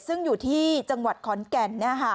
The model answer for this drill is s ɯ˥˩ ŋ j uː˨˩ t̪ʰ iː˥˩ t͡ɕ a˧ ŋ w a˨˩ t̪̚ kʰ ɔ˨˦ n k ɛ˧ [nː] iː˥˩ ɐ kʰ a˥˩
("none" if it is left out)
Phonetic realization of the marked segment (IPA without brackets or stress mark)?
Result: nː